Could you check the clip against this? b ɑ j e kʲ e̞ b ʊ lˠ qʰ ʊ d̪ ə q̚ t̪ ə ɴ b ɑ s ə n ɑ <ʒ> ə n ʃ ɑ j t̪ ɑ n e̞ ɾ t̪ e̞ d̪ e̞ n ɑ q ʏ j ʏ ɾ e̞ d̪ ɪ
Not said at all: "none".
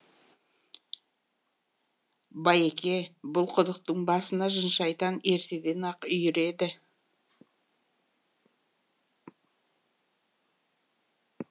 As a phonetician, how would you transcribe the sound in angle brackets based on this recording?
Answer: ʒ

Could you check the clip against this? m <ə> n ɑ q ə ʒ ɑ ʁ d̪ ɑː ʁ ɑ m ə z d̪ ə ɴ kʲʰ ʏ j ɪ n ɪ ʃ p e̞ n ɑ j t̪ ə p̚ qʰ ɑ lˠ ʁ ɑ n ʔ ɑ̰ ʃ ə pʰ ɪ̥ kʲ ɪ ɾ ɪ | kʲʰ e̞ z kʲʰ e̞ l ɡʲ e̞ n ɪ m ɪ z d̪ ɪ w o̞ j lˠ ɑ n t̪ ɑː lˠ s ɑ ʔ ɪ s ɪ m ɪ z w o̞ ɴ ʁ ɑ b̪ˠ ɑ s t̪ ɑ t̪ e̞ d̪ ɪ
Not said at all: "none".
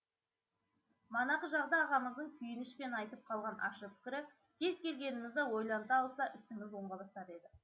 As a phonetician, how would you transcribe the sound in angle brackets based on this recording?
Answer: ɑ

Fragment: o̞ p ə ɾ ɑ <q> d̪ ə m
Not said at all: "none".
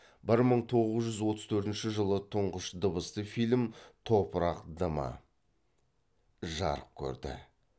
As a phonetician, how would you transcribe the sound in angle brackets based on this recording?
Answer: q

